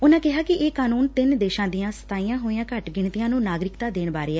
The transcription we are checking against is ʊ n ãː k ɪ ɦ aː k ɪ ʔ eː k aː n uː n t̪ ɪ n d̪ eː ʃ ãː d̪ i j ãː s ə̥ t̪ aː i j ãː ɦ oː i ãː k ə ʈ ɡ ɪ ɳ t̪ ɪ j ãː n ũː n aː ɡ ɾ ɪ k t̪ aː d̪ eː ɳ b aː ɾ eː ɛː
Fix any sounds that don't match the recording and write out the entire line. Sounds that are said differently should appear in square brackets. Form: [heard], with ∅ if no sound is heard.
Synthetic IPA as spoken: ʊ n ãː k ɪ ɦ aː k ɪ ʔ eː k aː n uː n t̪ ɪ n d̪ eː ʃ ãː d̪ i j ãː s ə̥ t̪ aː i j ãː ɦ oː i ãː k ə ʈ ɡ ɪ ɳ t̪ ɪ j ãː n ũː n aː ɡ ɾ ɪ k t̪ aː d̪ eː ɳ b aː ɾ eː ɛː

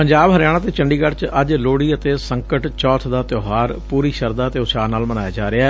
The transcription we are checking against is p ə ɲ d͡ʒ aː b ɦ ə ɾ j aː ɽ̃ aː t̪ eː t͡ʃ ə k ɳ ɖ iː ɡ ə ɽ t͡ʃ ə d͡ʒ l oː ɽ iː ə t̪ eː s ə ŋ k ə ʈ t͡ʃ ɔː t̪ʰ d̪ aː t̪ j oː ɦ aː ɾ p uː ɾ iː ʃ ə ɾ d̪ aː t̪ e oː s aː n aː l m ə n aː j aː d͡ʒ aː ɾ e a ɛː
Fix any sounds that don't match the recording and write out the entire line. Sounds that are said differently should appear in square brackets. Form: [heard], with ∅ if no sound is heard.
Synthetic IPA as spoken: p ə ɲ d͡ʒ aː b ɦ ə ɾ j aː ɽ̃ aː t̪ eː t͡ʃ ə [∅] ɳ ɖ iː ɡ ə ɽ t͡ʃ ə d͡ʒ l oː ɽ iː ə t̪ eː s ə ŋ k ə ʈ t͡ʃ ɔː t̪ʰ d̪ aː t̪ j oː ɦ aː ɾ p uː ɾ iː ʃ ə ɾ d̪ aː t̪ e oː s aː n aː l m ə n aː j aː d͡ʒ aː ɾ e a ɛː

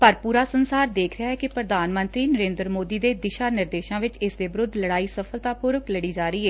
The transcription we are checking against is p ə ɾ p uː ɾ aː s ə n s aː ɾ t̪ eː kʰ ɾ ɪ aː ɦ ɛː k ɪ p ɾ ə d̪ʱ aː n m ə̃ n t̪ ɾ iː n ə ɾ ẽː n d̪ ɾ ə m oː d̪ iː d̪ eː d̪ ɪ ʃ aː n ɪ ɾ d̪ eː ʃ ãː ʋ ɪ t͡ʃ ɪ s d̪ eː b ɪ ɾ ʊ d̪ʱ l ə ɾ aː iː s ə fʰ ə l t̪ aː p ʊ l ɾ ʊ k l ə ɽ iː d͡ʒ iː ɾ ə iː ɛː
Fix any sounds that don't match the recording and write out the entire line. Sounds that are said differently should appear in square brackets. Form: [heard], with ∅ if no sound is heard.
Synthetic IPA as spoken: p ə ɾ p uː ɾ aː s ə n s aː ɾ [d̪] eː kʰ ɾ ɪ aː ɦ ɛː k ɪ p ɾ ə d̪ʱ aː n m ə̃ n t̪ ɾ iː n ə ɾ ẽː n d̪ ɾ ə m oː d̪ iː d̪ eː d̪ ɪ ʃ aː n ɪ ɾ d̪ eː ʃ ãː ʋ ɪ t͡ʃ ɪ s d̪ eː b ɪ ɾ ʊ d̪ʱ l ə [ɽ] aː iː s ə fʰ ə l t̪ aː p ʊ [∅] ɾ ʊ k l ə ɽ iː d͡ʒ [aː] ɾ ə iː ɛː

